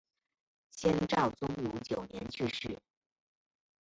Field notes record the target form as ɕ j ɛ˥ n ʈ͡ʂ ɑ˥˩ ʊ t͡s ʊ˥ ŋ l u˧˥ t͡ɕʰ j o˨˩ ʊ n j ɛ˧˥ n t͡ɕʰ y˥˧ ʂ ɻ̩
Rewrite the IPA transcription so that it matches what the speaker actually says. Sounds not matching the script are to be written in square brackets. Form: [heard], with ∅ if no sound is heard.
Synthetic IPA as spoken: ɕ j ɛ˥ n ʈ͡ʂ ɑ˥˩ ʊ t͡s ʊ˥ ŋ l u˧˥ [t͡ɕ] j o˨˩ ʊ n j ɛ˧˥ n t͡ɕʰ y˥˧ ʂ ɻ̩

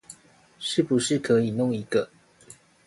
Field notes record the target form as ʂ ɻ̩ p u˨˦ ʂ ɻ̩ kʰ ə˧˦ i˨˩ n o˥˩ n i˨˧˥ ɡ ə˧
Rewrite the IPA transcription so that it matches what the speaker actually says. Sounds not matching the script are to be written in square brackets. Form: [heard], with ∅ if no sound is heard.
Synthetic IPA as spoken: ʂ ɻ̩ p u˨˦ ʂ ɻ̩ kʰ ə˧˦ i˨˩ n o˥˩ [ŋ] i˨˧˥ ɡ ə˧

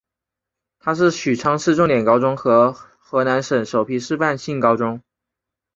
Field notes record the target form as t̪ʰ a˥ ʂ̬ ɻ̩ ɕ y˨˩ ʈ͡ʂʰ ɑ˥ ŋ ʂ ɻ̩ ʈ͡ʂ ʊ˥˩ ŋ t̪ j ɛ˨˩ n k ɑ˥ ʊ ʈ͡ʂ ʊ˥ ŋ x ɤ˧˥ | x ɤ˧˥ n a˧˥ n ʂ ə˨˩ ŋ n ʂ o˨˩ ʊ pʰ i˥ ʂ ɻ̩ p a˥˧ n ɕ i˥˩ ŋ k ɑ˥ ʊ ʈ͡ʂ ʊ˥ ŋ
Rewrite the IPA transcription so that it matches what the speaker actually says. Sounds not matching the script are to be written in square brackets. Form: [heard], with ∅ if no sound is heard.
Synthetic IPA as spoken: t̪ʰ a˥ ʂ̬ ɻ̩ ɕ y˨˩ ʈ͡ʂʰ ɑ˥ ŋ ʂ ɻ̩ ʈ͡ʂ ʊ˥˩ ŋ t̪ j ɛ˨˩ n k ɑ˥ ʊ ʈ͡ʂ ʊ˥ ŋ x ɤ˧˥ | x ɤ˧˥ n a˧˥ n ʂ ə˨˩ [∅] n ʂ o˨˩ ʊ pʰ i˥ ʂ ɻ̩ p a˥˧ n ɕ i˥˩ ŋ k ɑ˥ ʊ ʈ͡ʂ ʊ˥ ŋ

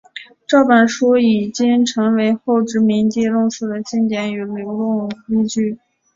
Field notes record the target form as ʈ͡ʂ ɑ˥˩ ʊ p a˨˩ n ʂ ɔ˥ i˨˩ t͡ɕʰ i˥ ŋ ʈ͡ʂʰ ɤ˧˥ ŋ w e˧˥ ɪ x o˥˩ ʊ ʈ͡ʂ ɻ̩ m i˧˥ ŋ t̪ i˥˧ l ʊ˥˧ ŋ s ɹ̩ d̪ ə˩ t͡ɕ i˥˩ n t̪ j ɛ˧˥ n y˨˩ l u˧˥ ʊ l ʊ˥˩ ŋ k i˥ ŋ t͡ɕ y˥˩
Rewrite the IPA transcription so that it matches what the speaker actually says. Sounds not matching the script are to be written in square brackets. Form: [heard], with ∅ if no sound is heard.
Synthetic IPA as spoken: ʈ͡ʂ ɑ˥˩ ʊ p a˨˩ n ʂ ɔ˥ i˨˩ [t͡ɕ] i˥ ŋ ʈ͡ʂʰ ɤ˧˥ ŋ w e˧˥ ɪ x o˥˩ ʊ ʈ͡ʂ ɻ̩ m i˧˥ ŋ t̪ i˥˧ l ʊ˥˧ ŋ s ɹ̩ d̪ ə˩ t͡ɕ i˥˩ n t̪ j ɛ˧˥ n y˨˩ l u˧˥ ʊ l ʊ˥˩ ŋ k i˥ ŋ t͡ɕ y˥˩

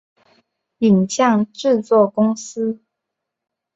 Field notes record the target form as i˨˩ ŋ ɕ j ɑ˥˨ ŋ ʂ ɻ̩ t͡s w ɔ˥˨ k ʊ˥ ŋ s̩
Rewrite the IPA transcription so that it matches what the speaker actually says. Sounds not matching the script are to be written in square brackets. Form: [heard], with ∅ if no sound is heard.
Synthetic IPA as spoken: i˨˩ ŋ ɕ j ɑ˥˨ ŋ [ʈ͡ʂ] ɻ̩ t͡s w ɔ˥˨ k ʊ˥ ŋ s̩

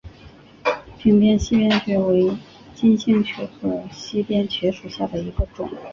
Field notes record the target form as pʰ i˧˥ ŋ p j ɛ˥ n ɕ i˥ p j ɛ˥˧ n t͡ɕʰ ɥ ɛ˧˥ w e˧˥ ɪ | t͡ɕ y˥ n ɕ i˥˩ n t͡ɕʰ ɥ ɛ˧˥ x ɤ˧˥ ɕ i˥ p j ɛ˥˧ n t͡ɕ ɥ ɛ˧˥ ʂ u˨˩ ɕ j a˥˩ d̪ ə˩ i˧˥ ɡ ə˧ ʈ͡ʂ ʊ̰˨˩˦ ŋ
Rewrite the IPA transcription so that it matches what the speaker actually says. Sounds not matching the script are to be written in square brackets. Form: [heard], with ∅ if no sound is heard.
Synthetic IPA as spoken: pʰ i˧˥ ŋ p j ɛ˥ n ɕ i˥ p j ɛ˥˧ n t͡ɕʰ ɥ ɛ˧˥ w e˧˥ ɪ | t͡ɕ [i˥] n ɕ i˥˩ [ŋ] t͡ɕʰ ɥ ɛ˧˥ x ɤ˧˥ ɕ i˥ p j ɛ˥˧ n [t͡ɕʰ] ɥ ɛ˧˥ ʂ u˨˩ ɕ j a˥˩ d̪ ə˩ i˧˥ ɡ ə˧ ʈ͡ʂ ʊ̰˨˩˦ ŋ

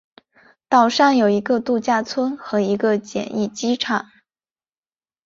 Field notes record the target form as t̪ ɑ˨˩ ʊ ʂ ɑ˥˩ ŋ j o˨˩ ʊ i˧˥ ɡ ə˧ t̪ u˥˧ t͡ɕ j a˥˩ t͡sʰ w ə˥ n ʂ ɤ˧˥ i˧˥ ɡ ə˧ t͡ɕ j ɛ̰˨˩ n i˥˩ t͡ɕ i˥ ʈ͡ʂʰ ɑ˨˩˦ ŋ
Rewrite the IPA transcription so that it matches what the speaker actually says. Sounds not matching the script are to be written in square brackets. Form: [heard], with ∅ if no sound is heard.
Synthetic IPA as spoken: t̪ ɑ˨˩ ʊ ʂ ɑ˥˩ ŋ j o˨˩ ʊ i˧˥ ɡ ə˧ t̪ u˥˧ t͡ɕ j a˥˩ t͡sʰ w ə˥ n [x] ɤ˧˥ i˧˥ ɡ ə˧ t͡ɕ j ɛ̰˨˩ n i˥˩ t͡ɕ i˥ ʈ͡ʂʰ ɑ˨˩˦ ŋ

